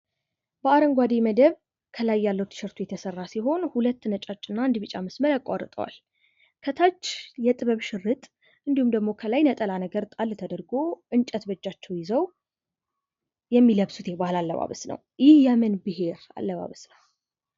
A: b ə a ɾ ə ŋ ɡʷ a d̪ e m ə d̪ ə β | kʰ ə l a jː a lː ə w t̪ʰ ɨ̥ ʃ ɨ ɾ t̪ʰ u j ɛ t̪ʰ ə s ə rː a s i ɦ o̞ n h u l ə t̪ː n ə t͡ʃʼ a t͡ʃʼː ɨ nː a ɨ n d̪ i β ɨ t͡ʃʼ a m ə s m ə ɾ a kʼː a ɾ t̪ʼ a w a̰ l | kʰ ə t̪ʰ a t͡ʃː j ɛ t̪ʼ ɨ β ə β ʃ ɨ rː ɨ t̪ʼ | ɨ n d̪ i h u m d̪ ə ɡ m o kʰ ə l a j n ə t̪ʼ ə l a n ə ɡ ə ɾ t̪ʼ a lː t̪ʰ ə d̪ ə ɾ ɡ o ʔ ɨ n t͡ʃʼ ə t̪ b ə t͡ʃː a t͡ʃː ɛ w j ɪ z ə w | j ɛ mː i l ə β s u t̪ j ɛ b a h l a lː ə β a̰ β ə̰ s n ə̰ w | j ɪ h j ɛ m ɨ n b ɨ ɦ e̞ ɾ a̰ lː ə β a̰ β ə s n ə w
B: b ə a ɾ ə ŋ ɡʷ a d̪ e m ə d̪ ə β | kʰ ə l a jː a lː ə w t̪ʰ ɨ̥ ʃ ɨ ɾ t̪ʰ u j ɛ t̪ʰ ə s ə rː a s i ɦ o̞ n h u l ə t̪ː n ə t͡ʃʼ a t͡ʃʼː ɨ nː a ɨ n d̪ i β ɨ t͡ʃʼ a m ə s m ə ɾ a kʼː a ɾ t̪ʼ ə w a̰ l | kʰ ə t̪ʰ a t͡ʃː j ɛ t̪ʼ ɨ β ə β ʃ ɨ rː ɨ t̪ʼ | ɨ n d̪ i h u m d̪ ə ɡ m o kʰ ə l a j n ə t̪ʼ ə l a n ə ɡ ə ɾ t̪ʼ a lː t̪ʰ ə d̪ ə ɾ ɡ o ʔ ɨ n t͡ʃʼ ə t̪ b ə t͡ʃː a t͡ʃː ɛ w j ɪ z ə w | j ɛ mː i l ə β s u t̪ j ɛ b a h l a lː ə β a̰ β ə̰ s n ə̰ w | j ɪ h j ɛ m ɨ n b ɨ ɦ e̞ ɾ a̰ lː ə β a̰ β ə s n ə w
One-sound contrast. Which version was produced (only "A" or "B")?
B